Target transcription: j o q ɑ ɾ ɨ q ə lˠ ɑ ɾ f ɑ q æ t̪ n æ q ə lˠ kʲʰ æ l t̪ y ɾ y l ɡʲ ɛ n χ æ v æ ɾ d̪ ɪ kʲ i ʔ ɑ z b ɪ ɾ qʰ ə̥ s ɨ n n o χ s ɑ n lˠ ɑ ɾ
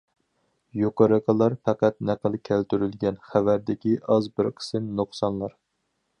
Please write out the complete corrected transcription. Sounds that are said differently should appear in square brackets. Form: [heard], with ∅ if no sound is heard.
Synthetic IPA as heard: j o q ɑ ɾ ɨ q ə lˠ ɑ ɾ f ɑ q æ t̪ n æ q ə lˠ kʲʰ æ l t̪ y ɾ y l ɡʲ ɛ n χ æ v æ ɾ d̪ ɪ kʲ i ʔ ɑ z b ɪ ɾ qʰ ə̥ s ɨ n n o χ s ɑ n lˠ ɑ ɾ